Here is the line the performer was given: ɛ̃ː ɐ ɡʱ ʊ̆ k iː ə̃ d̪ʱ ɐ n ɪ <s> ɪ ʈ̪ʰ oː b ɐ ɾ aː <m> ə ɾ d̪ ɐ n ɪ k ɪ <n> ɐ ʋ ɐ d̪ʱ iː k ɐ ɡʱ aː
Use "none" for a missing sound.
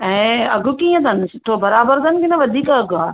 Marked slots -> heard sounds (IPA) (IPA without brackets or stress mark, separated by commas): s, b, n